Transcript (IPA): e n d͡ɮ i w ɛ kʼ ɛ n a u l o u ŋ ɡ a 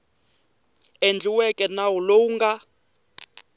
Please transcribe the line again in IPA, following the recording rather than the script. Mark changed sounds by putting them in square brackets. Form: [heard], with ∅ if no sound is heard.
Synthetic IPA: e n d͡ɮ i w ɛ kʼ ɛ n a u l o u ŋ ɡ a